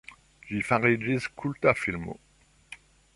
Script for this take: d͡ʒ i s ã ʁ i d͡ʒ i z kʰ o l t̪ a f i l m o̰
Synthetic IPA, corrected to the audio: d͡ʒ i f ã ʁ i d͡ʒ i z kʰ u l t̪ a f i l m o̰